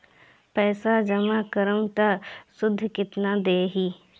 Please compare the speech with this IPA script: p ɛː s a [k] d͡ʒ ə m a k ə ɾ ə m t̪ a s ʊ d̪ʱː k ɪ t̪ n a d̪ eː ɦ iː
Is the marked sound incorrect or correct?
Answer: incorrect